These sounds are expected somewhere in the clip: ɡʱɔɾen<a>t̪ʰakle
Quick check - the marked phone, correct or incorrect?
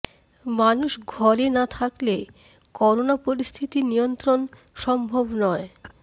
correct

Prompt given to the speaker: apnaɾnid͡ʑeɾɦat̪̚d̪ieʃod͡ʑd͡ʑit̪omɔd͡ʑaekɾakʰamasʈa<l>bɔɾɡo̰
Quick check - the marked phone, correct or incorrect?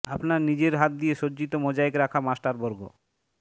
incorrect: ɾ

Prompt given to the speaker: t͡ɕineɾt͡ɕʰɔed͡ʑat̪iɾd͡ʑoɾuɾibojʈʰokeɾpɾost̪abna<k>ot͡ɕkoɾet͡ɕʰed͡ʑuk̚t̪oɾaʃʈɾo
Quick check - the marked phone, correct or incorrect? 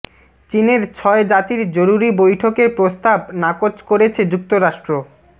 correct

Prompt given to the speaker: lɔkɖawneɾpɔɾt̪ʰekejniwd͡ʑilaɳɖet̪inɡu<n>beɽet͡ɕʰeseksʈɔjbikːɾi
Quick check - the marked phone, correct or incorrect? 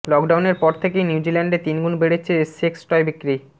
correct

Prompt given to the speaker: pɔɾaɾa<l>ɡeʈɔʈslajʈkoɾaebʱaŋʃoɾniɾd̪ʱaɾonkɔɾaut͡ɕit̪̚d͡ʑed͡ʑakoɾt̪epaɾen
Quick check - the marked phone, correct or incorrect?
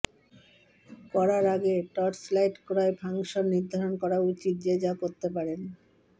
incorrect: none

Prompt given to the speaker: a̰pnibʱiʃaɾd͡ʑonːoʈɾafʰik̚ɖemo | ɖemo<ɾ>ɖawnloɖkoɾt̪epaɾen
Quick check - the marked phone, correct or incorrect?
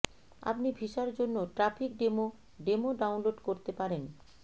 incorrect: none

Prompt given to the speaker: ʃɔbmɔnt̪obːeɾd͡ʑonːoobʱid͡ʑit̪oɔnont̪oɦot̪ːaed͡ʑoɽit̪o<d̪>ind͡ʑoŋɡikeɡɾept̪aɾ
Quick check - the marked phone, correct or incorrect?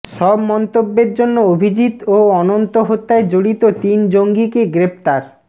incorrect: t̪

